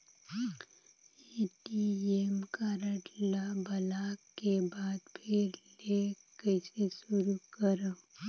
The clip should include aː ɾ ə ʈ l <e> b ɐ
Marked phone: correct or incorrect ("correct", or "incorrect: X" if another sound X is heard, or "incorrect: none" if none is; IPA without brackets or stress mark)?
incorrect: a